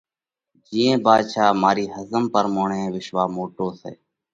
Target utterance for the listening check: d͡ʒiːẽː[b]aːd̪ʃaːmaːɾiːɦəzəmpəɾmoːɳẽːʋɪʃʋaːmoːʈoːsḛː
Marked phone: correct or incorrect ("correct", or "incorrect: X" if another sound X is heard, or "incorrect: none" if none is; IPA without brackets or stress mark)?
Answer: correct